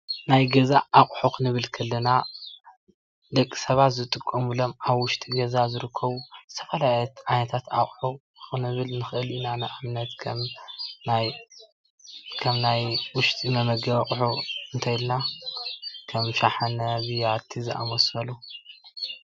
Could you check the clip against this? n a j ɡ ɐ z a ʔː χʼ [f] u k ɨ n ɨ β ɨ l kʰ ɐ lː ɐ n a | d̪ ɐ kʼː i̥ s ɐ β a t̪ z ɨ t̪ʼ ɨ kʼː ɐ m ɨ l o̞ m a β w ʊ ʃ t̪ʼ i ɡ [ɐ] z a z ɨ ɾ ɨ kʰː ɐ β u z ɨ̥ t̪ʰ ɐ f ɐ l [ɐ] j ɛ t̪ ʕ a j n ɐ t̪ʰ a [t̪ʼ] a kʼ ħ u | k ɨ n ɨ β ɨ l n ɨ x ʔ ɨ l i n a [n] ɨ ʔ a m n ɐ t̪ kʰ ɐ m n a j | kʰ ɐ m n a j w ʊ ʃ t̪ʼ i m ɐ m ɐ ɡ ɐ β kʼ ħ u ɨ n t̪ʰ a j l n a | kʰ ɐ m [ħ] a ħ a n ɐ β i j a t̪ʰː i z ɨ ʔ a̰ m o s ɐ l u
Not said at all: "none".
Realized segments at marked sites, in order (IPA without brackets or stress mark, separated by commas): ħ, ɐ, a, t̪, n, ʃ